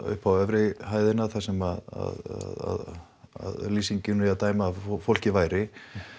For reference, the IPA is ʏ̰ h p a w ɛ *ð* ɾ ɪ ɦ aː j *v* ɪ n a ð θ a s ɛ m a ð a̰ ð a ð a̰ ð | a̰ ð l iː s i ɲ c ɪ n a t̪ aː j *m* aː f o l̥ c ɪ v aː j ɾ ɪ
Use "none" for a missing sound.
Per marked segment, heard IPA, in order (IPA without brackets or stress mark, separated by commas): v, ð, m